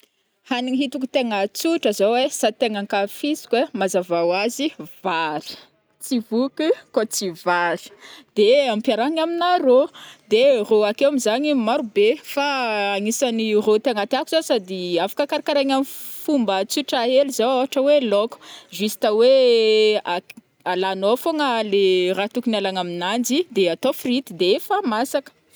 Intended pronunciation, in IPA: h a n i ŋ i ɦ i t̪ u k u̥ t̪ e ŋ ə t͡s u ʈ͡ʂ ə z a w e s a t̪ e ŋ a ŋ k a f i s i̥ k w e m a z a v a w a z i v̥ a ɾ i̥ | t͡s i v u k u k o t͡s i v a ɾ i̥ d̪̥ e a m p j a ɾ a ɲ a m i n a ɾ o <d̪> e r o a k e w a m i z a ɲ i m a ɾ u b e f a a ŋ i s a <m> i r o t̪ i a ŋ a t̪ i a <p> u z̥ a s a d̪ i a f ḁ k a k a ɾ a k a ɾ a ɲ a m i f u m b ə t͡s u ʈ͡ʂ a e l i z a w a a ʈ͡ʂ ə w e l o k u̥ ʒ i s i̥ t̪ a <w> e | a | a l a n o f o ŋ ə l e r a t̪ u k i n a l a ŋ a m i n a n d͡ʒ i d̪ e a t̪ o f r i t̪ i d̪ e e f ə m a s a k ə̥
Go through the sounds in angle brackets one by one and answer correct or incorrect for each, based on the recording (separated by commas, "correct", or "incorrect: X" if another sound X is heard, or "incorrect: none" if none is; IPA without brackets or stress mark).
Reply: correct, incorrect: n, incorrect: k, correct